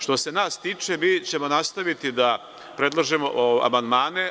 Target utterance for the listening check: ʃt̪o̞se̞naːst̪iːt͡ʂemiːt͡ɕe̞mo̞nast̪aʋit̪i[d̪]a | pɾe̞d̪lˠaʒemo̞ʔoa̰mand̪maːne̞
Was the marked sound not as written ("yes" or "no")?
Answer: no